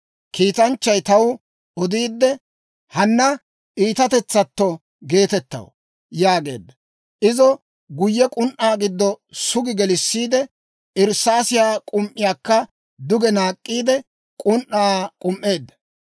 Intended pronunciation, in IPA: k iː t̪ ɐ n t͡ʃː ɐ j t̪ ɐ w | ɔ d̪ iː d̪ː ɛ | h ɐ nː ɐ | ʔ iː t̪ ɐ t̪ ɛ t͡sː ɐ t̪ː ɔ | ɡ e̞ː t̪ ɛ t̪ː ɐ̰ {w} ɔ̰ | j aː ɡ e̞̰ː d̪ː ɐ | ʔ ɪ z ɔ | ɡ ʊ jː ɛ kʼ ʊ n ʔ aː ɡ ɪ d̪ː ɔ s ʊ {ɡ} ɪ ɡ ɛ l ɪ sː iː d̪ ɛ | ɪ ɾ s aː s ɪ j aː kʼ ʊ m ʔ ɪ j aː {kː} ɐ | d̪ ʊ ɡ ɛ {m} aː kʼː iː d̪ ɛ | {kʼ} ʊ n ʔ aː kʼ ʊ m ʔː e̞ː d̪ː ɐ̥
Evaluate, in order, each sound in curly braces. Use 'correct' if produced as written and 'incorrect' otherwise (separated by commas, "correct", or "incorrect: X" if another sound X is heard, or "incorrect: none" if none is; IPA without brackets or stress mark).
correct, correct, correct, incorrect: n, correct